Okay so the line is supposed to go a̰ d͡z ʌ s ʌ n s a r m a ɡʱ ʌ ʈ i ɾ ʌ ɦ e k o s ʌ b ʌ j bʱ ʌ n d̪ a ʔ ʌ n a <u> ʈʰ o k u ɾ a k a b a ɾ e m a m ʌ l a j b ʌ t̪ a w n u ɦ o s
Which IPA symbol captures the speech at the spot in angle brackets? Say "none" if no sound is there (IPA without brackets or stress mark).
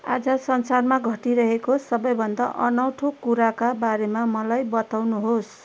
w